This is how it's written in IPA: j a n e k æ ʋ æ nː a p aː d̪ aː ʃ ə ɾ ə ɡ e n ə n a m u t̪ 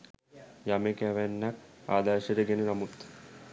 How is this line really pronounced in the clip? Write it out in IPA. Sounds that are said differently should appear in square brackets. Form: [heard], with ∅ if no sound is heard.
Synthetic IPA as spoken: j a [m] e k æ ʋ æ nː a [k] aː d̪ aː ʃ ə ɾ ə ɡ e n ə n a m u t̪